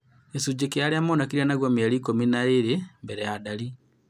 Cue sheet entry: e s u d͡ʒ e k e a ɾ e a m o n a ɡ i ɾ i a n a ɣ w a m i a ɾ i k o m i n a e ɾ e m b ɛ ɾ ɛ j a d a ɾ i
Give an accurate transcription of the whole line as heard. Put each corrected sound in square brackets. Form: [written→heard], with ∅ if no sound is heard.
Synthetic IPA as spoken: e s u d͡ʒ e k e a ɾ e a m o n a [ɡ→k] i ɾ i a n a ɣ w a m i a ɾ i k o m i n a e ɾ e m b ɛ ɾ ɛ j a d a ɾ i